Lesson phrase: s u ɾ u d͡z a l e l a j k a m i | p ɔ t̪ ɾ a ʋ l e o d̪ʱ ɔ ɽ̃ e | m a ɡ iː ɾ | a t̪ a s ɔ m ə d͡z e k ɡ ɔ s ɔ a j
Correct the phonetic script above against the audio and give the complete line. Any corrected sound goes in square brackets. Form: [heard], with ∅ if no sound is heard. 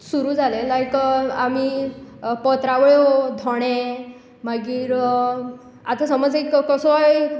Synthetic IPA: s u ɾ u d͡z a l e l a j k a m i | p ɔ t̪ ɾ a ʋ [ɭ] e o d̪ʱ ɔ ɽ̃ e | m a ɡ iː ɾ | a t̪ a s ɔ m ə d͡z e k [k] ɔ s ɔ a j